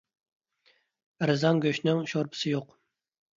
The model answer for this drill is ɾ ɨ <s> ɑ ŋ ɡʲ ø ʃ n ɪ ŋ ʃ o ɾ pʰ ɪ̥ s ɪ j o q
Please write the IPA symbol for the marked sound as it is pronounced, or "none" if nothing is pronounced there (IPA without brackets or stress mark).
z